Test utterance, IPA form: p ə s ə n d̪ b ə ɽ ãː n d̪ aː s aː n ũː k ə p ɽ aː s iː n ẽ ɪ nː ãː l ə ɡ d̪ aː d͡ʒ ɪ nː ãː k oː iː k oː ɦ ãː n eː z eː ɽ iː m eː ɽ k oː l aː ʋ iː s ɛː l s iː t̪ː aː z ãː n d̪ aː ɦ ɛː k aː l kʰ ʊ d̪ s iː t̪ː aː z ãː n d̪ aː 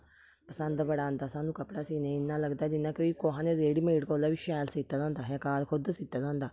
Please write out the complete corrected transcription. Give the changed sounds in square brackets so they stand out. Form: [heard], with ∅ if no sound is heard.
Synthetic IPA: p ə s ə n d̪ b ə ɽ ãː n d̪ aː s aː n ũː k ə p ɽ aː s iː n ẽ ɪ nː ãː l ə ɡ d̪ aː d͡ʒ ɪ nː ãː k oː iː k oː ɦ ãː n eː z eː ɽ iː m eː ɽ k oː l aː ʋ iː [ʃ] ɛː l s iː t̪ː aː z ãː n d̪ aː ɦ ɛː k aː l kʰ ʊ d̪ s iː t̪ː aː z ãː n d̪ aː